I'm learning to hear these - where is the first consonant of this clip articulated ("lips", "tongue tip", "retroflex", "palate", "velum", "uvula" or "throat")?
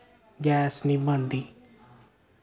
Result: velum